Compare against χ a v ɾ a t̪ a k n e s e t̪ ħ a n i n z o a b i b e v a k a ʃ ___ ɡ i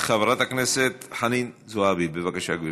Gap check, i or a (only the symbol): a